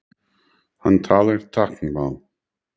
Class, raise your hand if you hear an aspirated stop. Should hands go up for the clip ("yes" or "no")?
yes